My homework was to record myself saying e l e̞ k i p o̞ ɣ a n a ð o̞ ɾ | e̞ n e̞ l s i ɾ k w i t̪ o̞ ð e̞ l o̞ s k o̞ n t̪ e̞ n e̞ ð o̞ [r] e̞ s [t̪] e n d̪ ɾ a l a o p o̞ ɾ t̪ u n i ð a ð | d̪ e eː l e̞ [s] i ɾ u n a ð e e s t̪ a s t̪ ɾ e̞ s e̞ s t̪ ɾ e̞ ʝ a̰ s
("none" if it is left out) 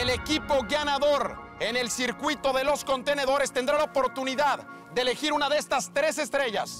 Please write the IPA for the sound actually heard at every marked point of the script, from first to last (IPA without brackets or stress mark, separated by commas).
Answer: ɾ, t̪, x